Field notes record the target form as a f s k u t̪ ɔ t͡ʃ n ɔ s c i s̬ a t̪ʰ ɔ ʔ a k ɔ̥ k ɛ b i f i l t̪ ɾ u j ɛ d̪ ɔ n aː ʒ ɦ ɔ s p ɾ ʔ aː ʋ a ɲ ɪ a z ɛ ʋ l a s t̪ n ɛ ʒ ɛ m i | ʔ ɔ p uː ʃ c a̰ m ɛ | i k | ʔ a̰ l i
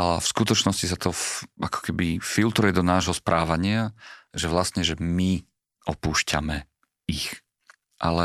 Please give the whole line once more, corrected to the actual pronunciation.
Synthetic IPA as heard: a f s k u t̪ ɔ t͡ʃ n ɔ s c i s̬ a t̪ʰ ɔ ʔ a k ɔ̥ k ɛ b i f i l t̪ ɾ u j ɛ d̪ ɔ n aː ʒ ɦ ɔ s p ɾ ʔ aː ʋ a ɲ ɪ a ʒ ɛ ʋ l a s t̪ ɲ ɛ ʒ ɛ m i | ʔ ɔ p uː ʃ c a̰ m ɛ | i x | ʔ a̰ l ɛ